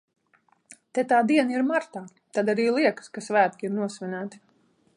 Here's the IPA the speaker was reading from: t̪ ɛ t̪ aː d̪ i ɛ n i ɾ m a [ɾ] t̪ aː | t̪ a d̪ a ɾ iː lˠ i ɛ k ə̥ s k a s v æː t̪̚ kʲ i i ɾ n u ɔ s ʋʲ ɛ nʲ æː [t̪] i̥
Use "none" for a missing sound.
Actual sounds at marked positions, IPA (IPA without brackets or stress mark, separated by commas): ɾ, t̪